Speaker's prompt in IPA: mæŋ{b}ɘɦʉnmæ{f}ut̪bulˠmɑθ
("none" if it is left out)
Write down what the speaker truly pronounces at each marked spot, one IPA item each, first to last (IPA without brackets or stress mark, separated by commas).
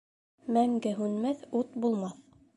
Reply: ɡ, θ